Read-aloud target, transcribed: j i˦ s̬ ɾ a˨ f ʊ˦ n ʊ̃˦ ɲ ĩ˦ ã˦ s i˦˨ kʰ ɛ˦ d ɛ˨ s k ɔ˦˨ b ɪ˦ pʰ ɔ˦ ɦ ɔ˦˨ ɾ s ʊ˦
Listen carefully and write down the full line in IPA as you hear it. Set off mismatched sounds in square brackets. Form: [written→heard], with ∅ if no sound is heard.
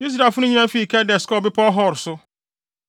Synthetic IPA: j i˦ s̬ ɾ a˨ f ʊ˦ n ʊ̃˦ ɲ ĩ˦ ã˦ [s→f] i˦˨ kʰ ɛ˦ d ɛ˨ s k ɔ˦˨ b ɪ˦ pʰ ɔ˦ ɦ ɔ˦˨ ɾ s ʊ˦